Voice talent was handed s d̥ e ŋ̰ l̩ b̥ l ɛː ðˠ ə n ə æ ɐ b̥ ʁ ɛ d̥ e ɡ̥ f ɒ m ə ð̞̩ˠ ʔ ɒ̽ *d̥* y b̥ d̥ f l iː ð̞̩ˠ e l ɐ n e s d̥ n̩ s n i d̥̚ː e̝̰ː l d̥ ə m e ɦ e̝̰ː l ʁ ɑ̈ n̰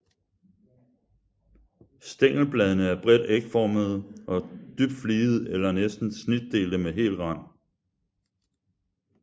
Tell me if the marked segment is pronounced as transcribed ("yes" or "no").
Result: yes